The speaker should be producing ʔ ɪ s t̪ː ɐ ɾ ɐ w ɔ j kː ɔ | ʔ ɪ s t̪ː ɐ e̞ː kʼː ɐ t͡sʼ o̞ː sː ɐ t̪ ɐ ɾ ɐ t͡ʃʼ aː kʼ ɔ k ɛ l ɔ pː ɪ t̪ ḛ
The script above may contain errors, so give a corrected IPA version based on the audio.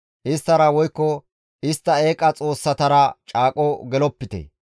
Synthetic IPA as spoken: ʔ ɪ s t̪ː ɐ ɾ ɐ w ɔ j kː ɔ | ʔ ɪ s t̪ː ɐ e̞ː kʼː ɐ t͡sʼ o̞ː sː ɐ t̪ ɐ ɾ ɐ t͡ʃʼ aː kʼ ɔ ɡ ɛ l ɔ pː ɪ t̪ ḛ

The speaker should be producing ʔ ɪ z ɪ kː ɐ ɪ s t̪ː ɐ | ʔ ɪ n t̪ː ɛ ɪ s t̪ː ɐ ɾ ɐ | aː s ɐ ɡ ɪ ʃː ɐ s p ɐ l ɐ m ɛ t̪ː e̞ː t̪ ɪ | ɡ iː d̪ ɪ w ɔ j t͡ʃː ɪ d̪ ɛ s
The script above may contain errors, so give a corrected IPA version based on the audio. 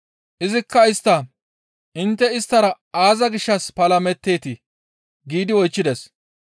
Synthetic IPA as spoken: ʔ ɪ z ɪ kː ɐ ɪ s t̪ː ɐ | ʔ ɪ n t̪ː ɛ ɪ s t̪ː ɐ ɾ ɐ | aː z ɐ ɡ ɪ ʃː ɐ s p ɐ l ɐ m ɛ t̪ː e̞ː t̪ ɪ | ɡ iː d̪ ɪ w ɔ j t͡ʃː ɪ d̪ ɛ s

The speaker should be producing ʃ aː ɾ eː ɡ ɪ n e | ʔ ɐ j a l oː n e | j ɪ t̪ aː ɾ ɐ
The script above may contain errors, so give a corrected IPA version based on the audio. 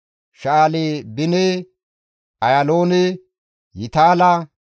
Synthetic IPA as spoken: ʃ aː l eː b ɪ n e | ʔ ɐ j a l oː n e | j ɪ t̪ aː l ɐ

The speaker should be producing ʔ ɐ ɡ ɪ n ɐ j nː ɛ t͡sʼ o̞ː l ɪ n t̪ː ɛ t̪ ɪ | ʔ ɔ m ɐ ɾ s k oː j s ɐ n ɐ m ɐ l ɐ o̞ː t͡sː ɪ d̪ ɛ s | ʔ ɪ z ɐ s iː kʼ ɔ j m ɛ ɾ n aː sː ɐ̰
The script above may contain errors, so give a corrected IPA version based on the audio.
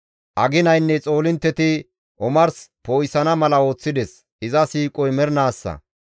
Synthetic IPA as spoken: ʔ ɐ ɡ ɪ n ɐ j nː ɛ t͡sʼ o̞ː l ɪ n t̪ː ɛ t̪ ɪ | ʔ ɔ m ɐ ɾ s p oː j s ɐ n ɐ m ɐ l ɐ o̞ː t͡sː ɪ d̪ ɛ s | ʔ ɪ z ɐ s iː kʼ ɔ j m ɛ ɾ n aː sː ɐ̰

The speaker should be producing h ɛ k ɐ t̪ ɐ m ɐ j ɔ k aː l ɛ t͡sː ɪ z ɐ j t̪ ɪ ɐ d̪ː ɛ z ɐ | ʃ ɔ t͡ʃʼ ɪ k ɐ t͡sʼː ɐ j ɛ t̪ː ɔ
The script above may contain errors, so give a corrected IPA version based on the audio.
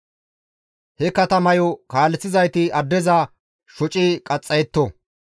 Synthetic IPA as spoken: h ɛ k ɐ t̪ ɐ m ɐ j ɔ k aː l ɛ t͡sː ɪ z ɐ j t̪ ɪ ɐ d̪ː ɛ z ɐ | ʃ ɔ t͡ʃʼ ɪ kʼ ɐ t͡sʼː ɐ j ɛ t̪ː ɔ

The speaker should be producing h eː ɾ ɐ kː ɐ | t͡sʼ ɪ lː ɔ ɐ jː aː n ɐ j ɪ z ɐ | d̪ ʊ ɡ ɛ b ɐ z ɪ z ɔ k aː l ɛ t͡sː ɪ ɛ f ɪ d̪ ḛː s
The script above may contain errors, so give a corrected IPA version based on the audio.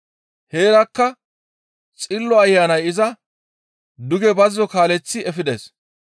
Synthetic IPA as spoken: h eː ɾ ɐ kː ɐ | t͡sʼ ɪ lː ɔ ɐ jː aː n ɐ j ɪ z ɐ | d̪ ʊ ɡ ɛ b ɐ z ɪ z ɔ k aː l ɛ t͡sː ɪ ɛ f ɪ d̪ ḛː s

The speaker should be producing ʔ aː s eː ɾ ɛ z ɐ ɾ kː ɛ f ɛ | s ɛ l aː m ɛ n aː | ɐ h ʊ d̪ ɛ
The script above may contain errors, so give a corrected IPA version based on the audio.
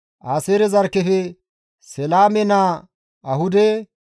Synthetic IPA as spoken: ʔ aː s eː ɾ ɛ z ɐ ɾ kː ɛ f ɛ | s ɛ l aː m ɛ n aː | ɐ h ʊ d̪ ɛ

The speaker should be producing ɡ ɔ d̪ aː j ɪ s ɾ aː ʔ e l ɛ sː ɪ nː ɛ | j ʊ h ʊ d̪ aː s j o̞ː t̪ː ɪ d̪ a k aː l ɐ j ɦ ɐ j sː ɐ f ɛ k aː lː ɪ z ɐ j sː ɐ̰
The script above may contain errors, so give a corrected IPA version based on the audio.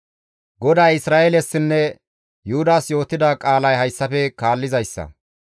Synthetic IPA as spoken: ɡ ɔ d̪ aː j ɪ s ɾ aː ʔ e l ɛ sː ɪ nː ɛ | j ʊ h ʊ d̪ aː s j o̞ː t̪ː ɪ d̪ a kʼ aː l ɐ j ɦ ɐ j sː ɐ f ɛ k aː lː ɪ z ɐ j sː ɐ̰

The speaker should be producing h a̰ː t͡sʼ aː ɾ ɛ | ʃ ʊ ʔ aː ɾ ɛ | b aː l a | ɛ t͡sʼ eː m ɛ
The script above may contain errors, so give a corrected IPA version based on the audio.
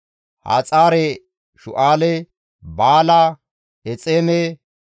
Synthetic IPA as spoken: h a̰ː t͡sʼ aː ɾ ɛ | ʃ ʊ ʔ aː l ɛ | b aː l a | ɛ t͡sʼ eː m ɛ

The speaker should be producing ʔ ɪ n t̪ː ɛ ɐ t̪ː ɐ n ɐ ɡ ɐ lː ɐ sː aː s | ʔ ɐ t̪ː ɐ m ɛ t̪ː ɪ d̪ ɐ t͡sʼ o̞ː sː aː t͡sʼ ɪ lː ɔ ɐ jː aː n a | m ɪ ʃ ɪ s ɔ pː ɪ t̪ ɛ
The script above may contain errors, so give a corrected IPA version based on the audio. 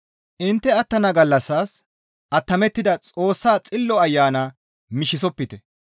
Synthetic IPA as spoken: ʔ ɪ n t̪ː ɛ ɐ t̪ː ɐ n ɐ ɡ ɐ lː ɐ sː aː s | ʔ ɐ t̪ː ɐ m ɛ t̪ː ɪ d̪ ɐ t͡sʼ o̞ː sː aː t͡sʼ ɪ lː ɔ ɐ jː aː n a | m ɪ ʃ ɪ s ɔ pː ɪ t̪ ɛ

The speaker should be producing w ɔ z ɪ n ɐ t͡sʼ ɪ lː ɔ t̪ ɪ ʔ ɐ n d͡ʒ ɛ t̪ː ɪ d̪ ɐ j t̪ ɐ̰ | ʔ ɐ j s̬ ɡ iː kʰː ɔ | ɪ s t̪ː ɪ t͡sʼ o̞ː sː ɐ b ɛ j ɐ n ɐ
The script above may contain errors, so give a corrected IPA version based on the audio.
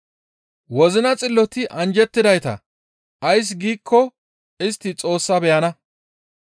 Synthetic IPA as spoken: w ɔ z ɪ n ɐ t͡sʼ ɪ lː ɔ t̪ ɪ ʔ ɐ n d͡ʒ ɛ t̪ː ɪ d̪ ɐ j t̪ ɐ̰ | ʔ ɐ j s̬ ɡ iː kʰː ɔ | ɪ s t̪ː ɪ t͡sʼ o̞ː sː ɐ b ɛ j ɐ n ɐ

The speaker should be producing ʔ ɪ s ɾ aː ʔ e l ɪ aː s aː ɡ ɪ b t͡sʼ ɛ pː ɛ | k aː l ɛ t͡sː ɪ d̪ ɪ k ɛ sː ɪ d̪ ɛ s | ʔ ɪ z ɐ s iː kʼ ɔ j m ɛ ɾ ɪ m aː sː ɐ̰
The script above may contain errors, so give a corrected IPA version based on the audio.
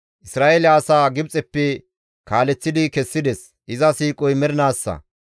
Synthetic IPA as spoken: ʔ ɪ s ɾ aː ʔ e l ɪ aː s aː ɡ ɪ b t͡sʼ ɛ pː ɛ | k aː l ɛ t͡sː ɪ d̪ ɪ k ɛ sː ɪ d̪ ɛ s | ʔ ɪ z ɐ s iː kʼ ɔ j m ɛ ɾ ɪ n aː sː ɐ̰

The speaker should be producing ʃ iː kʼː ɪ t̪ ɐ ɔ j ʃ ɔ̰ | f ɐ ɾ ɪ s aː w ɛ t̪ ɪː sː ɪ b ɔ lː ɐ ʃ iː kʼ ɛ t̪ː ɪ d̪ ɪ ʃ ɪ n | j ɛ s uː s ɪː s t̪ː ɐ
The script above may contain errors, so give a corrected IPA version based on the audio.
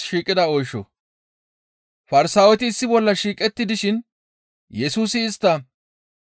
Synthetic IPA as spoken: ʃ iː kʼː ɪ d̪ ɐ ɔ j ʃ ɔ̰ | f ɐ ɾ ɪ s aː w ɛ t̪ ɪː sː ɪ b ɔ lː ɐ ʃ iː kʼ ɛ t̪ː ɪ d̪ ɪ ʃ ɪ n | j ɛ s uː s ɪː s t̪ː ɐ

